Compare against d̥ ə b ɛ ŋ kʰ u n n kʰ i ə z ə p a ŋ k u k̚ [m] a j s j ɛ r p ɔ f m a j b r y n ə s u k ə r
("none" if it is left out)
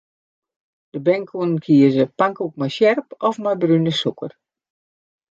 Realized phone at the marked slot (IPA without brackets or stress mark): m